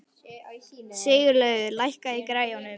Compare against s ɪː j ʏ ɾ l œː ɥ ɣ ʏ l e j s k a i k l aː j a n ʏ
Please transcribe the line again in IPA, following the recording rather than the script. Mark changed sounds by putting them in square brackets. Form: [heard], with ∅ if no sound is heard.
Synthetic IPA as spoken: s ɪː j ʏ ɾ l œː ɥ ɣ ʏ l [a] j [h] k a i k [ɾ] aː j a n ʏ